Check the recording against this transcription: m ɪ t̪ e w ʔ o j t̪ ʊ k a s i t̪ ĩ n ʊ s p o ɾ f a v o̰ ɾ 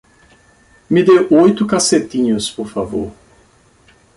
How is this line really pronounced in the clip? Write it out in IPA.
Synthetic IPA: m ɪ d̪ e w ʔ o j t̪ ʊ k a s e t̪ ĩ ɲ ʊ s p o ɾ f a v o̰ ɾ